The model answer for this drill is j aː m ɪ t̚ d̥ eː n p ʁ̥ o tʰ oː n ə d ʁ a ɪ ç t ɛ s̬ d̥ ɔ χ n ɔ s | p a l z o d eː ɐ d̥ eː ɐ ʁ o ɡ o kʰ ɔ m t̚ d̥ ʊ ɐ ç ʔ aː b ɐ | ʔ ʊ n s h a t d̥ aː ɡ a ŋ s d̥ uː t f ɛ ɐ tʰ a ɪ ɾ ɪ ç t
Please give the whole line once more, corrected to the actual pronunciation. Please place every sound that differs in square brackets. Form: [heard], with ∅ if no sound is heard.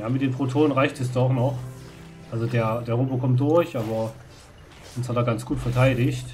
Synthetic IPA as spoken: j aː m ɪ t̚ d̥ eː n p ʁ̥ o tʰ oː n ə [n] ʁ a ɪ ç t ɛ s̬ d̥ ɔ χ n ɔ [χ] | [ʔ] a l z o d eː ɐ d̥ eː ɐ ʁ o [b] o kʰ ɔ m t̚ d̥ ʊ ɐ ç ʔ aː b ɐ | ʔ ʊ n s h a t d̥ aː ɡ a [n] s [ɡ̥] uː t f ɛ ɐ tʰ a ɪ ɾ ɪ ç t